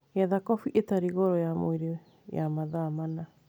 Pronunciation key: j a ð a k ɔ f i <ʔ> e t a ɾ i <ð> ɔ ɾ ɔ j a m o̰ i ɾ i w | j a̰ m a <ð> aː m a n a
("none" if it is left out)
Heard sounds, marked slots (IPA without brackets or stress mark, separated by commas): ʔ, ɣ, ð